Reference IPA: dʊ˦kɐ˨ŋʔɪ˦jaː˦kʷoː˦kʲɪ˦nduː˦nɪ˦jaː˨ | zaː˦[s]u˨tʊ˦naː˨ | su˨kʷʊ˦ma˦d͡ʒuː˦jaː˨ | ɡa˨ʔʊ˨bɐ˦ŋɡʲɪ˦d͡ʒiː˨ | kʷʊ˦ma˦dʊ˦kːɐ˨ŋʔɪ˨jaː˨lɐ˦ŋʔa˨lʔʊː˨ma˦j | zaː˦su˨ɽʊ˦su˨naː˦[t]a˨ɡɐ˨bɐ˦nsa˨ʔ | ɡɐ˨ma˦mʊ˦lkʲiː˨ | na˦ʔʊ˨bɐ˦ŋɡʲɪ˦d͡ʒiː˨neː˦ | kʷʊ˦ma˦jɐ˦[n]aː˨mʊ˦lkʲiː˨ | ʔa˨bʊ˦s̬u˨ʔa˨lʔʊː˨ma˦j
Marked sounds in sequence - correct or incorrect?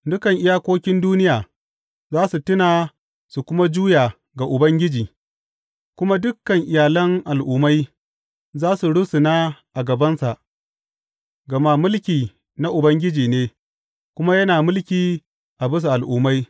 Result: correct, incorrect, correct

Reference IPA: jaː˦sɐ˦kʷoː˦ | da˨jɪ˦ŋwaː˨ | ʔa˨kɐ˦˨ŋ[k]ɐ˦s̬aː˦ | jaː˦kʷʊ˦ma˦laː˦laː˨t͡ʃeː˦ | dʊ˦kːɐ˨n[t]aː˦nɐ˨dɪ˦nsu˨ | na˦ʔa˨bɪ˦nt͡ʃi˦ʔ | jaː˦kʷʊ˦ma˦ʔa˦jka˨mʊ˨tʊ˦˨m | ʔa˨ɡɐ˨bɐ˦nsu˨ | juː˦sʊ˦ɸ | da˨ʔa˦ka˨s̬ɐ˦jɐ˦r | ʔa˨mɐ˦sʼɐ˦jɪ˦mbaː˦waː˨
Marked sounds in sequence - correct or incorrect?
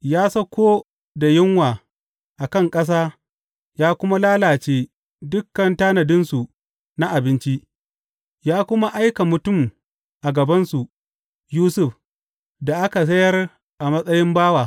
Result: incorrect, correct

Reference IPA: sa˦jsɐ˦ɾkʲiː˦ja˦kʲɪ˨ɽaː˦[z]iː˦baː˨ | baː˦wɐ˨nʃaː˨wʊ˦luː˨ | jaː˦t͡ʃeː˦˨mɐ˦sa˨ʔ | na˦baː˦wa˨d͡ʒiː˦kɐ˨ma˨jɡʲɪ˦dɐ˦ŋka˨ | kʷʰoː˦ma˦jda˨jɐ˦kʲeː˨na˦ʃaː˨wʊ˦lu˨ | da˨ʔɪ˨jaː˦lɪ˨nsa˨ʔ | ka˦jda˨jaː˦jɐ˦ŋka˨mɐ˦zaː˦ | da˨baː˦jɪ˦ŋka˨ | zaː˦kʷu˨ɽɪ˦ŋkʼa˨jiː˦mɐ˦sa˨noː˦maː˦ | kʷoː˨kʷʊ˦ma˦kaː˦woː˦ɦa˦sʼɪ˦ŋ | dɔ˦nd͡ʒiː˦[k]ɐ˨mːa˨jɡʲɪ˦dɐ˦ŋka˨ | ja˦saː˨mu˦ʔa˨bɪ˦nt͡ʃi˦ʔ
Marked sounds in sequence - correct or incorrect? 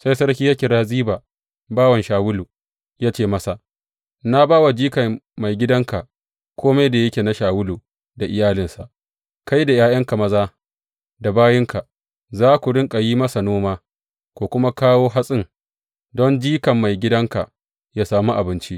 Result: correct, correct

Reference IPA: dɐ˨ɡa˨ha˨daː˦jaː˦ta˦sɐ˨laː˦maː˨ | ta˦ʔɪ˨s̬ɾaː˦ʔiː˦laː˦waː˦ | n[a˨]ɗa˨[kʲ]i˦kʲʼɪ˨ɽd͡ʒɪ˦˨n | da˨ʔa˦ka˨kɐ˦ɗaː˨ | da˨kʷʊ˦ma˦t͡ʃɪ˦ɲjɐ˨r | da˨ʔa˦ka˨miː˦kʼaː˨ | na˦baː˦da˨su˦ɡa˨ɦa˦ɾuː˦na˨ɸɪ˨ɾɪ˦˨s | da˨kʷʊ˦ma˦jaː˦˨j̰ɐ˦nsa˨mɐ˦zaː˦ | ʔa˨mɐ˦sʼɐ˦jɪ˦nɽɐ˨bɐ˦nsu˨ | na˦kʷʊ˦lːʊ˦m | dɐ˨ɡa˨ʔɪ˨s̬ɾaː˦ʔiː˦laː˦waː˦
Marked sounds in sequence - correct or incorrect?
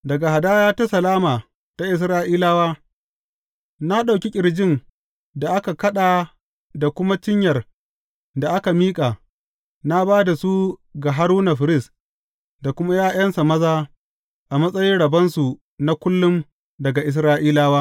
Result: incorrect, correct

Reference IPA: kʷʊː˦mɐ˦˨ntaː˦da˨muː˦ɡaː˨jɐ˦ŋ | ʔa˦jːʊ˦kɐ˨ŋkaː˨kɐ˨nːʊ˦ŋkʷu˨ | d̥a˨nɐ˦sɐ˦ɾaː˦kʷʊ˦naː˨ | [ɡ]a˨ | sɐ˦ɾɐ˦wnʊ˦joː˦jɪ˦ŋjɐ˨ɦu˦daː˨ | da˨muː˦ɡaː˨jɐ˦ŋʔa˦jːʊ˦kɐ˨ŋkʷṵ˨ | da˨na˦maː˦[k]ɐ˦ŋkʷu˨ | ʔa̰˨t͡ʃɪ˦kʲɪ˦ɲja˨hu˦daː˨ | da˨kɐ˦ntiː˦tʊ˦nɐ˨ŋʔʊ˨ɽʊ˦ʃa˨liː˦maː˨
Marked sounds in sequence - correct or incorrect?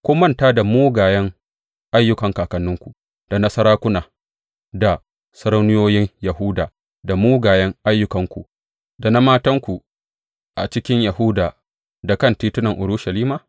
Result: incorrect, incorrect

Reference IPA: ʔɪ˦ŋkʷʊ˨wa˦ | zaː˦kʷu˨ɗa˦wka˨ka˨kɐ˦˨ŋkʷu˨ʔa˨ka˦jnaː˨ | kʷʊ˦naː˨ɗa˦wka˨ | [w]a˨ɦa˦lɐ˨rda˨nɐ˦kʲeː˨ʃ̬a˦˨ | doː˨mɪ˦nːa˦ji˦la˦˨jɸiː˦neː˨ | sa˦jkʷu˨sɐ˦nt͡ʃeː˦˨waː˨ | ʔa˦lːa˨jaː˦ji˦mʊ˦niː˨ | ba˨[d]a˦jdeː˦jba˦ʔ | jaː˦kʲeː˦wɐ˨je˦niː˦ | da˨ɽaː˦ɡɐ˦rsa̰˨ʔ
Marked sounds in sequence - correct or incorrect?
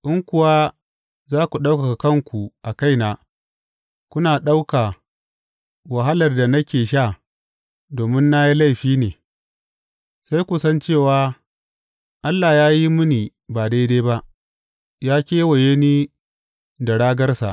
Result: correct, correct

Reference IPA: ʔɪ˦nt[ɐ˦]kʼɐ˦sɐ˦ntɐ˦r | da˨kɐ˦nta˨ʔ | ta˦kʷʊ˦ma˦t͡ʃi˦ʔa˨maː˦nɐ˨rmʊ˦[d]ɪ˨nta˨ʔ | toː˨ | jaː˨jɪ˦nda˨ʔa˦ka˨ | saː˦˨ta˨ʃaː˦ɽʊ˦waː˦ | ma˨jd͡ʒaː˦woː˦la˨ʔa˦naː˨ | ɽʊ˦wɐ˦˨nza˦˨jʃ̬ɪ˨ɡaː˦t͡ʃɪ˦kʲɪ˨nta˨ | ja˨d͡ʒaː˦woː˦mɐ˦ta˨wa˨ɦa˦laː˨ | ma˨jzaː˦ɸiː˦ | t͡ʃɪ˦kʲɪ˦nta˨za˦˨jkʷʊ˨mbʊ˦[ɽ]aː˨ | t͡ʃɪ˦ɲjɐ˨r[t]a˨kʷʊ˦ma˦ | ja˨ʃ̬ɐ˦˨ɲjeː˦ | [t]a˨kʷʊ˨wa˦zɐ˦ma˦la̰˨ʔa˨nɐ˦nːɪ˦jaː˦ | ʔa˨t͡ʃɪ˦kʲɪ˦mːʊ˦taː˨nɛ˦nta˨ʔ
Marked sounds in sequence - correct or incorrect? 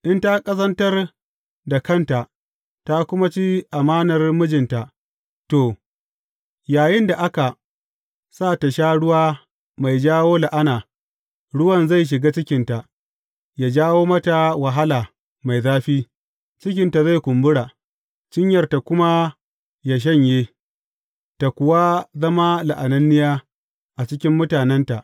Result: incorrect, incorrect, correct, correct, correct

